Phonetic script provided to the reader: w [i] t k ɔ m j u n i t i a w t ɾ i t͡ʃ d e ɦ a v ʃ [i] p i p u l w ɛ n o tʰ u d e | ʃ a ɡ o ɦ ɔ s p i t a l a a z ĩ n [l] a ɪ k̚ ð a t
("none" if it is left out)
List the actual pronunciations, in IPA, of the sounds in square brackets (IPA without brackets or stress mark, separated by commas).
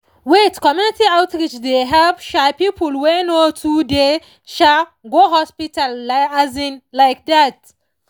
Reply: e, a, l